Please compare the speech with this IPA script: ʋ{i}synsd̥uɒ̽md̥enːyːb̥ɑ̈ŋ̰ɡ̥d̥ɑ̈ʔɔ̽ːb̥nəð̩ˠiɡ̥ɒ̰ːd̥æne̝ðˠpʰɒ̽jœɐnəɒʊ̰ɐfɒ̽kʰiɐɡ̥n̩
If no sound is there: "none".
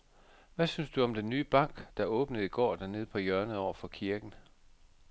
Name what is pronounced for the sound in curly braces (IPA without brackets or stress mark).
æ